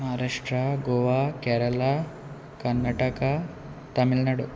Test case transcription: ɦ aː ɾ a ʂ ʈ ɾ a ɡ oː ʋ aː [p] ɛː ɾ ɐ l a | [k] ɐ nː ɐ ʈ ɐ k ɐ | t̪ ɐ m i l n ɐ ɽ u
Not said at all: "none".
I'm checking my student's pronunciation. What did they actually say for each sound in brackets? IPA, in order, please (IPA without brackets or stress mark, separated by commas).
k, k